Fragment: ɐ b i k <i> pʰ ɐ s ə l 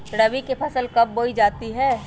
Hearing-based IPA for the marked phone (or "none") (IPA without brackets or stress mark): e